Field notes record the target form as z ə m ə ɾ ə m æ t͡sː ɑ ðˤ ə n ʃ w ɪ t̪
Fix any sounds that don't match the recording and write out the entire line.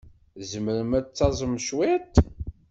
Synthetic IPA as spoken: z ə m ə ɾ ə m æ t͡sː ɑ zˤ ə m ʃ w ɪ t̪